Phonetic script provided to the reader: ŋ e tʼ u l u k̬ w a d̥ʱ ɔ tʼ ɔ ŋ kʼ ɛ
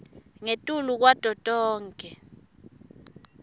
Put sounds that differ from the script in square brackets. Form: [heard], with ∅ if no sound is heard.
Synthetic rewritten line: ŋ e tʼ u l u k̬ w a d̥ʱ ɔ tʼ [ɔː] ŋ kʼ ɛ